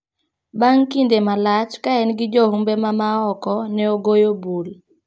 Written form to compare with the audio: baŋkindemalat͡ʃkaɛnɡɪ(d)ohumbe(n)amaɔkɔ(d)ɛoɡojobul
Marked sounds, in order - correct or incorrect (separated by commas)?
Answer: incorrect, incorrect, incorrect